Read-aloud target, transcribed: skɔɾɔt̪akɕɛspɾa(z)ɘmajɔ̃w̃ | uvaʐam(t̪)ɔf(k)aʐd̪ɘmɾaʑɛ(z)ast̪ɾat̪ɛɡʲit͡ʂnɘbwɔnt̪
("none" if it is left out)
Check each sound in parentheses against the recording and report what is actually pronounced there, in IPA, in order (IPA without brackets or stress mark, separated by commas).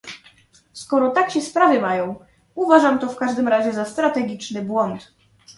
v, t̪, k, z